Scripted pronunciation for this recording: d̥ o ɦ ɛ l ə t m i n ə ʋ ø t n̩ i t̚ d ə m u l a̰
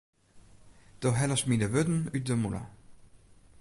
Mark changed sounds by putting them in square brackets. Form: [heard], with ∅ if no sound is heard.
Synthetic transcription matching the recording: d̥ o ɦ ɛ l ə [s] m i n ə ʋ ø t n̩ [y] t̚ d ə m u l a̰